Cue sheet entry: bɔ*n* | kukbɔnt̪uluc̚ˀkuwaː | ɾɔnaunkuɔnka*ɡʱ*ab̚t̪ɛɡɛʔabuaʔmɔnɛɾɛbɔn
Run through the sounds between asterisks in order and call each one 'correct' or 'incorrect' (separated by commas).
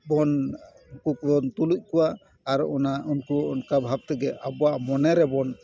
correct, incorrect